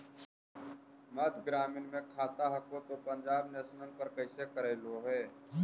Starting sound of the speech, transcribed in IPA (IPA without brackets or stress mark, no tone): m